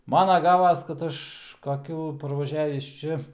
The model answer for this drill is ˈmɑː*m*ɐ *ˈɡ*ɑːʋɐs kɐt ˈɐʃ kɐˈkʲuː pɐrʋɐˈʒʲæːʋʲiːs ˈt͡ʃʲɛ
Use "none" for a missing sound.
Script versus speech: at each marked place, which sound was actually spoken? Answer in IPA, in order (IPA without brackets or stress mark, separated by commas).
n, ɡ